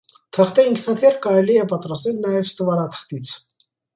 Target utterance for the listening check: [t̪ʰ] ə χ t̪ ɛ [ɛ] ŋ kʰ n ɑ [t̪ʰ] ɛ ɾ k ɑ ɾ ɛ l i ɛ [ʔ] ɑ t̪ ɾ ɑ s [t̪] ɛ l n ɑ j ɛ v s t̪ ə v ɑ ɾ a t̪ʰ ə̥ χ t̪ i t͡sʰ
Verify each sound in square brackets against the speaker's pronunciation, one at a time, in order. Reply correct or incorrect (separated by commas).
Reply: correct, incorrect, correct, incorrect, correct